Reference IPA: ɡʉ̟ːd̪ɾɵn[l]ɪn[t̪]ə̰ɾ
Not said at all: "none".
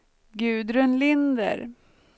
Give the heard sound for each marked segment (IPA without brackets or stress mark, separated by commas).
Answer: l, d̪